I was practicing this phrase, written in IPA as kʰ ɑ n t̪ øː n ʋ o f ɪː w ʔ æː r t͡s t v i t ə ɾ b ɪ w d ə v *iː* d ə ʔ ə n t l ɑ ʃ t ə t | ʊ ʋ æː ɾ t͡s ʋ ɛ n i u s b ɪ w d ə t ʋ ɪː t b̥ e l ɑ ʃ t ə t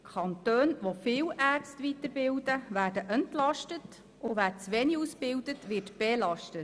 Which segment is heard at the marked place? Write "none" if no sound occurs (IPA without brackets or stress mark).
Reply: æː